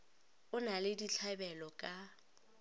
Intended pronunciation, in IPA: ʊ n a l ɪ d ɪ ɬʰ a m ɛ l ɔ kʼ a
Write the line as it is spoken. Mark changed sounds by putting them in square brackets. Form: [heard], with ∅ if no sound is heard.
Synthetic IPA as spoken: ʊ n a l ɪ d [i] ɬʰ a [b] ɛ l ɔ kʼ a